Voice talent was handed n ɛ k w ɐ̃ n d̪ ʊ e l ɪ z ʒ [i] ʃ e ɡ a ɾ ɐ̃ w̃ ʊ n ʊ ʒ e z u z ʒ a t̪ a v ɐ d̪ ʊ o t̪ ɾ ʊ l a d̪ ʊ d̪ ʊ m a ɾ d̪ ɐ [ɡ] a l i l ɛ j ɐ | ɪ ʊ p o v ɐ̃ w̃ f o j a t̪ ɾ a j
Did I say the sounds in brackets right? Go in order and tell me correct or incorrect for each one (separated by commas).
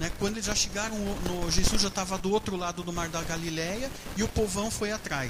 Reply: incorrect, correct